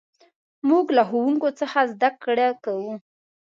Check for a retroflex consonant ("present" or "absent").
present